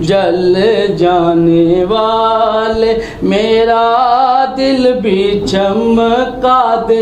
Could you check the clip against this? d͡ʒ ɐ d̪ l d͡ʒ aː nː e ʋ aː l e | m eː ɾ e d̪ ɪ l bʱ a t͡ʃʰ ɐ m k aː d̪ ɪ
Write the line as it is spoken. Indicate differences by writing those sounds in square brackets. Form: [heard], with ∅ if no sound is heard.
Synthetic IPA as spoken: d͡ʒ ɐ [∅] l d͡ʒ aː [n] e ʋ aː l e | m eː ɾ [a] d̪ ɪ l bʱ [i] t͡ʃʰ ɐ m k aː d̪ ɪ